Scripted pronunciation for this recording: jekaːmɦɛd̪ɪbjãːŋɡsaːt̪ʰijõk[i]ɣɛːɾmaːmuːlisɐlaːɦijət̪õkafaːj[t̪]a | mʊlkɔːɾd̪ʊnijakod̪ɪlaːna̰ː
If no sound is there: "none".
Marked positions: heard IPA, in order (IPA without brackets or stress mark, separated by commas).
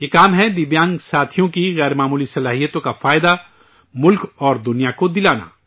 i, d̪